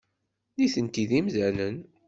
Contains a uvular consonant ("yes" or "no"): no